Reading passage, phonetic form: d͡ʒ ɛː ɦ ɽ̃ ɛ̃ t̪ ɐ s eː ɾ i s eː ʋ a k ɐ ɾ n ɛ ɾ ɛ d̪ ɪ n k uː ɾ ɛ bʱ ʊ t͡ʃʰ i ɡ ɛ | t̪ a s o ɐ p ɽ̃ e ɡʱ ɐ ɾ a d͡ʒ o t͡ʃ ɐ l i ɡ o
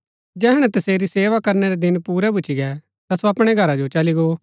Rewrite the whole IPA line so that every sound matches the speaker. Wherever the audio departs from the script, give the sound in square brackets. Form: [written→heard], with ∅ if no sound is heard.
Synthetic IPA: d͡ʒ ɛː ɦ ɽ̃ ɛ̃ t̪ ɐ s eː ɾ i s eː ʋ a k ɐ ɾ n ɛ ɾ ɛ d̪ ɪ n [k→p] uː ɾ ɛ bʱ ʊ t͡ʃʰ i ɡ ɛ | t̪ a s o ɐ p ɽ̃ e ɡʱ ɐ ɾ a d͡ʒ o t͡ʃ ɐ l i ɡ o